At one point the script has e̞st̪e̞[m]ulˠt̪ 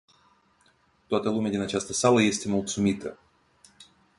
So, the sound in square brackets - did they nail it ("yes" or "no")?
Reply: yes